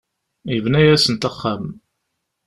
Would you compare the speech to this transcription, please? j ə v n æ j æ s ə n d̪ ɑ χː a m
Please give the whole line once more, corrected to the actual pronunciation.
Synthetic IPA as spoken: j ə v n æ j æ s ə n t̪ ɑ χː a m

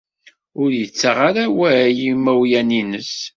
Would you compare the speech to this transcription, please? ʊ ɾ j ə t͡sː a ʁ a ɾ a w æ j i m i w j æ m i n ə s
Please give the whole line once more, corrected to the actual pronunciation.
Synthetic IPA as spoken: ʊ ɾ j ə t͡sː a ʁ a ɾ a w æ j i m æ w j æ n i n ə s

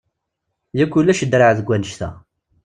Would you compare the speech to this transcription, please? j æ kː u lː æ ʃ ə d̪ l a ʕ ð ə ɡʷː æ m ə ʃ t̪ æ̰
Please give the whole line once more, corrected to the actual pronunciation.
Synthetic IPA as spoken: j æ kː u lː æ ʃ ə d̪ ɾ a ʕ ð ə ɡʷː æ n ə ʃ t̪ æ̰

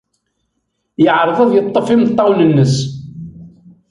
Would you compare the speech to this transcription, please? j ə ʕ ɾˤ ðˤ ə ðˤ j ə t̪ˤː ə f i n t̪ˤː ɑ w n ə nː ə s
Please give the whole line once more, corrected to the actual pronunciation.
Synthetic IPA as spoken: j ə ʕ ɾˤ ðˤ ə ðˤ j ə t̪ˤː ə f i m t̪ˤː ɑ w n ə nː ə s

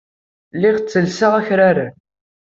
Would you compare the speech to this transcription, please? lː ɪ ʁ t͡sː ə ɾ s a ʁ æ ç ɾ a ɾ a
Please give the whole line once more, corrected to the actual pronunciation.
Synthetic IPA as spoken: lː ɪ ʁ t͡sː ə l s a ʁ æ ç ɾ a ɾ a

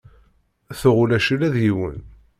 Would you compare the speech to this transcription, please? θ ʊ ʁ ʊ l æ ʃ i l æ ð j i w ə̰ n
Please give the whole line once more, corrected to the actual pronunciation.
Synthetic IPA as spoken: θ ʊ ʁ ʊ l æ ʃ i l æ ð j i w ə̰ n

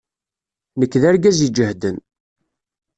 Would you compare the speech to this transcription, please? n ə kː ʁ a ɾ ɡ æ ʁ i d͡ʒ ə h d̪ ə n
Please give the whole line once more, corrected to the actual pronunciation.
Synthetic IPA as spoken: n ə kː ð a ɾ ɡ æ z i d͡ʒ ə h d̪ ə n

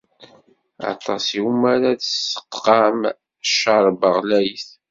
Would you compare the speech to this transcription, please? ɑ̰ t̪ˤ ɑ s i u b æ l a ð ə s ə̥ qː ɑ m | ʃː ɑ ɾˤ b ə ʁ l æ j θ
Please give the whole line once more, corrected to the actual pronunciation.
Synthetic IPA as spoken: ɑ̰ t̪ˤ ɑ s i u m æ ɾ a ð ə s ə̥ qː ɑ m | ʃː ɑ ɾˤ b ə ʁ l æ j θ

